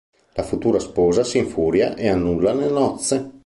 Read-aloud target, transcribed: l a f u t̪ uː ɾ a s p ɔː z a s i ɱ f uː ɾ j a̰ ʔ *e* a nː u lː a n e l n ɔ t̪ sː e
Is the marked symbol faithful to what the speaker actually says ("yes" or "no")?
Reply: yes